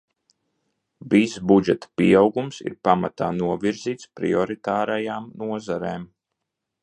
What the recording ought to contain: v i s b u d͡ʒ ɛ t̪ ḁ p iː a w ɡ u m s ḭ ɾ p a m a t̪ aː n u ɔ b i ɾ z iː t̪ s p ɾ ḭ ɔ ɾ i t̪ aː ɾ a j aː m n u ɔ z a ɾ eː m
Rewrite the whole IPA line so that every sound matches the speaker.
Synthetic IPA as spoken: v i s b u d͡ʒ ɛ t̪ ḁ p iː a w ɡ u m s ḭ ɾ p a m a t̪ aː n u ɔ v i ɾ z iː t̪ s p ɾ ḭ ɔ ɾ i t̪ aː ɾ a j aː m n u ɔ z a ɾ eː m